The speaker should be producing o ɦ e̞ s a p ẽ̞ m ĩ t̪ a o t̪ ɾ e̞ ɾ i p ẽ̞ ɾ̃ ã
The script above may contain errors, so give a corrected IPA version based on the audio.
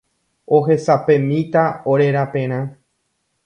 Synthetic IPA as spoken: o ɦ e̞ s a p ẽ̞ m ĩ t̪ a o ɾ e̞ ɾ a p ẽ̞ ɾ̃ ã

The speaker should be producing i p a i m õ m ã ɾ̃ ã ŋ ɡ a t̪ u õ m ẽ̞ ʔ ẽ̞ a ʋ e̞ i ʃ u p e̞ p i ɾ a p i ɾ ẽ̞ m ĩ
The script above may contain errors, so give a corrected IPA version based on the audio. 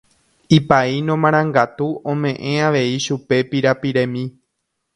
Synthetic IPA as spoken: i p a i n õ m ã ɾ̃ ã ŋ ɡ a t̪ u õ m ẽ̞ ʔ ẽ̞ a ʋ e̞ i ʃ u p e̞ p i ɾ a p i ɾ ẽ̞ m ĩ

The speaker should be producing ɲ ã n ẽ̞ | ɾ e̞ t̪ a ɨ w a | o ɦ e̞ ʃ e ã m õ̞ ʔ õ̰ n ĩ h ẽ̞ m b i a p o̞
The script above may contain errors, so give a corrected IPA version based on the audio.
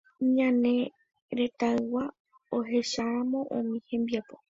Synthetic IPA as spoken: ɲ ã n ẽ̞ | ɾ e̞ t̪ a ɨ w a | o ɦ e̞ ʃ a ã m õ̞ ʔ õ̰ m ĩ h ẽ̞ m b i a p o̞

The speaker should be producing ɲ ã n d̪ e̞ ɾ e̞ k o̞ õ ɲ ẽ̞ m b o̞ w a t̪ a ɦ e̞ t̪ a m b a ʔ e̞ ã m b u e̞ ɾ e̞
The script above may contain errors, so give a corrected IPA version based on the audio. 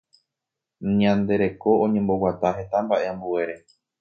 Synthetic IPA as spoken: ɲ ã n d̪ e̞ ɾ e̞ k o̞ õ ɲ ẽ̞ m b o̞ w a t̪ a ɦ e̞ t̪ a m b a ʔ e̞ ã m b u e̞ ɾ e̞

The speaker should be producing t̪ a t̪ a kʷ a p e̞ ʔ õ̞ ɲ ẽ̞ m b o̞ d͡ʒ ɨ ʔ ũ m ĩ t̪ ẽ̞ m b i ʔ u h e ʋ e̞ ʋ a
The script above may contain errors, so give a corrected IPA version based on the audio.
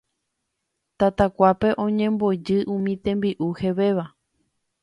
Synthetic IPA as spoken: t̪ a t̪ a kʷ a p e̞ ʔ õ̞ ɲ ẽ̞ m b o̞ d͡ʒ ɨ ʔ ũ m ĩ t̪ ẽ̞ m b i ʔ u h e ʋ e̞ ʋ a

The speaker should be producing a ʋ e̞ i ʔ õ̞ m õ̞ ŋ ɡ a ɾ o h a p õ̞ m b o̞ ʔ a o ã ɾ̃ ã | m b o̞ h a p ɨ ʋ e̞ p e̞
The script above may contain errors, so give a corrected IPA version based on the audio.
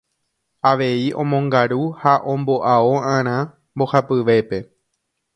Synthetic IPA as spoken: a ʋ e̞ i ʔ õ̞ m õ̞ ŋ ɡ a ɾ u h a ʔ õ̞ m b o̞ ʔ a o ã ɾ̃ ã | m b o̞ h a p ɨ ʋ e̞ p e̞

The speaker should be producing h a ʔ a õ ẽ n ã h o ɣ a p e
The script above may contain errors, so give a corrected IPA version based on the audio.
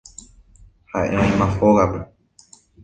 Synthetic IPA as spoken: h a ʔ e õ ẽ m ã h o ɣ a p e

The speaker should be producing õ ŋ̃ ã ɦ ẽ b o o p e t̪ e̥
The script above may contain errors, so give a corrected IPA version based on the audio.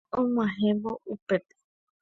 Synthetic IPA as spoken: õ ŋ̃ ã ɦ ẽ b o u p e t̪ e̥

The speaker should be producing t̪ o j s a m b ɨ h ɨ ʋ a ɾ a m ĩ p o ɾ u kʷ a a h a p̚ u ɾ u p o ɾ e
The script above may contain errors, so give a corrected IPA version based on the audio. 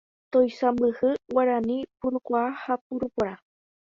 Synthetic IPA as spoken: t̪ o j s a m b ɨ h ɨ w a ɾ a n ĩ p u ɾ u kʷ a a h a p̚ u ɾ u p o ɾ a

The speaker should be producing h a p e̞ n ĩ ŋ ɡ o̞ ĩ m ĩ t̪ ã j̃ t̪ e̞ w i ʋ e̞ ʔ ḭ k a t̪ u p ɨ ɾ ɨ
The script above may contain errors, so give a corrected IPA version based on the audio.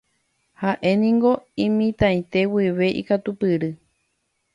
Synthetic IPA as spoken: h a ʔ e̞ n ĩ ŋ ɡ o̞ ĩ m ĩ t̪ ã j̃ t̪ e̞ w i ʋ e̞ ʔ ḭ k a t̪ u p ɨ ɾ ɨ

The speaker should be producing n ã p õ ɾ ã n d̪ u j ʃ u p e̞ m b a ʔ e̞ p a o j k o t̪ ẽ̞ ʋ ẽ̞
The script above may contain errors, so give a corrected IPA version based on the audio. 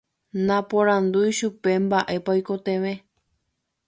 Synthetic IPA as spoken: n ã p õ ɾ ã n d̪ u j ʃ u p e̞ m b a ʔ e̞ p a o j k o t̪ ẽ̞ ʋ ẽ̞

